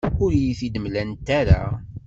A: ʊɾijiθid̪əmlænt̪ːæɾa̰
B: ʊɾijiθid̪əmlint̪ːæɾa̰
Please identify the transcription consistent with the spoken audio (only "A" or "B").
A